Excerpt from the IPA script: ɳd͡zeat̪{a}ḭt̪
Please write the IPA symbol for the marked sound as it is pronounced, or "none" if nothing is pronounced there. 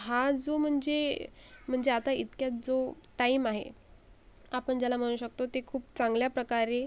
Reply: a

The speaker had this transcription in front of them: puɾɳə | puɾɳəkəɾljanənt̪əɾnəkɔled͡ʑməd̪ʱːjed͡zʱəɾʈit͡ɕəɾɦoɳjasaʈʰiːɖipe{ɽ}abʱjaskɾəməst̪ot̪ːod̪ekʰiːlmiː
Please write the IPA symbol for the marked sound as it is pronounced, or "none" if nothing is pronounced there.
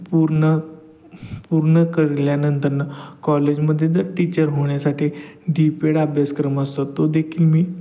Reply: ɽ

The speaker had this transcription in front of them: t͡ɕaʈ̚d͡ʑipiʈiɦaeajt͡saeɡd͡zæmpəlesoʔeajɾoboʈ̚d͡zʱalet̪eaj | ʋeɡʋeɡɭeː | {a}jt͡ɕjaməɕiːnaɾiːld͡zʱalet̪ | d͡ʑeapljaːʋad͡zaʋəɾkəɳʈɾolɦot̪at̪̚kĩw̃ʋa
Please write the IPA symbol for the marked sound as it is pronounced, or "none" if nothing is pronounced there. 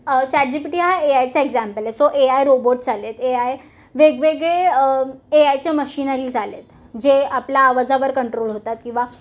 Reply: a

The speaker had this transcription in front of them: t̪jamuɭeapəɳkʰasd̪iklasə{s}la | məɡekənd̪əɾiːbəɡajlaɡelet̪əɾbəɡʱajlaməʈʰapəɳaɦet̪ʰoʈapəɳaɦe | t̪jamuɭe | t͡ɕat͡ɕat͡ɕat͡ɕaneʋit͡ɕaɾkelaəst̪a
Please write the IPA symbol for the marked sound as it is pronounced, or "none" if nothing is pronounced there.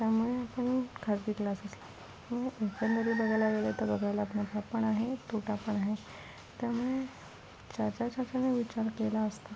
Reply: s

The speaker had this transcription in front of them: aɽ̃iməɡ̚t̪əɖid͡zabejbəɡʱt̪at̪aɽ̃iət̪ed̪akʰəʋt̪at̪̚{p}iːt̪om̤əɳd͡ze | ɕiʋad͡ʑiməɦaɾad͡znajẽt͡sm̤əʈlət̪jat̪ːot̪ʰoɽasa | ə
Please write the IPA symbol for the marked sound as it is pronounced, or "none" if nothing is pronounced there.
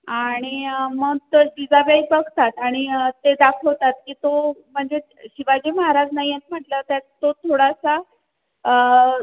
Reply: k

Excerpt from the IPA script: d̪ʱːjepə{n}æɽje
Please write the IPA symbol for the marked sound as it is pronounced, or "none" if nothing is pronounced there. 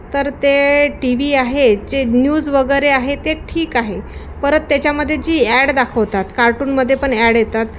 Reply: ɳ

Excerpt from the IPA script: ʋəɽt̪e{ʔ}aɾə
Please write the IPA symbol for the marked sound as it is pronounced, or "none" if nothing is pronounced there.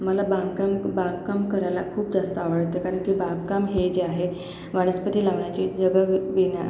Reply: k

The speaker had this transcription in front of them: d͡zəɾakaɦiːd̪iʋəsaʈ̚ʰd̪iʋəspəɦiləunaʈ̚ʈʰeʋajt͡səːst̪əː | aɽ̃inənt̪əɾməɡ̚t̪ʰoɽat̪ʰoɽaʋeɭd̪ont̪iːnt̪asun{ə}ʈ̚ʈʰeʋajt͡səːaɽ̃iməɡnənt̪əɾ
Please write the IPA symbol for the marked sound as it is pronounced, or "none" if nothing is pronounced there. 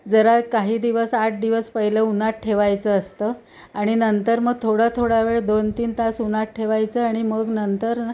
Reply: a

